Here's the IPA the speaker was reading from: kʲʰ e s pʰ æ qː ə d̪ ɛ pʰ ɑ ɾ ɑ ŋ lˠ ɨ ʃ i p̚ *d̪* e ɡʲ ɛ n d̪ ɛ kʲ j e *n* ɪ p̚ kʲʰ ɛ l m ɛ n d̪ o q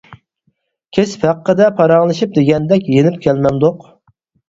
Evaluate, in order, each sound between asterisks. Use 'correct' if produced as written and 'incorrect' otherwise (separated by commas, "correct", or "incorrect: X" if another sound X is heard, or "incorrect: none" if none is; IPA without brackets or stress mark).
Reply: correct, correct